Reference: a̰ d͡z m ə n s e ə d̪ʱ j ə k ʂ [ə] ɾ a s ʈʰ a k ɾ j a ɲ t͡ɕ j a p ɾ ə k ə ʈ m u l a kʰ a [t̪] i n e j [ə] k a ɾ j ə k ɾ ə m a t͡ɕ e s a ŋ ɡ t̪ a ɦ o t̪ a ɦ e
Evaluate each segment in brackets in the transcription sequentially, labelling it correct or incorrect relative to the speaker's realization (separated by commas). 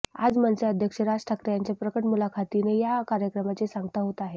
correct, correct, incorrect